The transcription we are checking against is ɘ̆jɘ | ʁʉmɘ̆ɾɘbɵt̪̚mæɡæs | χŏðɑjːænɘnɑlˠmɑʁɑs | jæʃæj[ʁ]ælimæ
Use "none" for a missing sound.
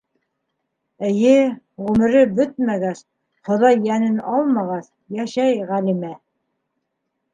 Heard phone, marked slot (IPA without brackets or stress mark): ʁ